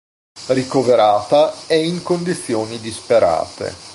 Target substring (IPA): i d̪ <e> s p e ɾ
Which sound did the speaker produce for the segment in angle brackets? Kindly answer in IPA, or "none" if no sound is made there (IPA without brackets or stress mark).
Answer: i